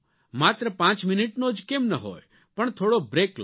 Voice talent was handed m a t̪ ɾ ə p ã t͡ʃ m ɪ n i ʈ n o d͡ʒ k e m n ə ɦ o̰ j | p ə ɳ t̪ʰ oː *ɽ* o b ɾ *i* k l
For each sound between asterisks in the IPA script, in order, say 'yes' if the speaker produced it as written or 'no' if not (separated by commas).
yes, no